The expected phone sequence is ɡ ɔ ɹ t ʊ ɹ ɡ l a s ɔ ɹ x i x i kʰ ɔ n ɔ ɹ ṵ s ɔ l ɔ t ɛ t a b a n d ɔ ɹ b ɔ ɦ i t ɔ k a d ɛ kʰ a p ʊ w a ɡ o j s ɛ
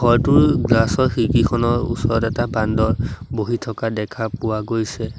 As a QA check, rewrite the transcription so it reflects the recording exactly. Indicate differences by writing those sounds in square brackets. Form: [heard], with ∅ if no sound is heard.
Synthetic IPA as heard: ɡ ɔ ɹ t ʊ ɹ ɡ l a s ɔ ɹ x i [k] i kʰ ɔ n ɔ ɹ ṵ s ɔ [ɹ] ɔ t ɛ t a b a n d ɔ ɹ b [o] ɦ i [tʰ] ɔ k a d ɛ kʰ a p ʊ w a ɡ o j s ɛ